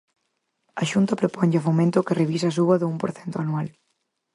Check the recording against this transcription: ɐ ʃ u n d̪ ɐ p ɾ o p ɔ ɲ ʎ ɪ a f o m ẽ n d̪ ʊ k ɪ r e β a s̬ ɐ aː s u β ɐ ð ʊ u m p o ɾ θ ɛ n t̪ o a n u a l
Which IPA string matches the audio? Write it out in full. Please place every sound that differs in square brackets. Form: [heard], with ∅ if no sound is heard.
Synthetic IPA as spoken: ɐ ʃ u n [t̪] ɐ p ɾ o p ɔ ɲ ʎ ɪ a f o m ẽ n [t̪] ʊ k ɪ r e β [i] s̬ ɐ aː s u β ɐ ð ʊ u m p o ɾ θ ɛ n t̪ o a n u a l